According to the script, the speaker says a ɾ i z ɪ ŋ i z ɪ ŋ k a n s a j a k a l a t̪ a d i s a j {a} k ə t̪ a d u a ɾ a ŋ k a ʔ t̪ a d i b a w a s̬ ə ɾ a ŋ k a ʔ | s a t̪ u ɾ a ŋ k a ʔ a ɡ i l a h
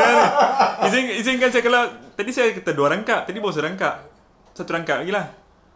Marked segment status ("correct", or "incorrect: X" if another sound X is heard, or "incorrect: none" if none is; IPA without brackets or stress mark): correct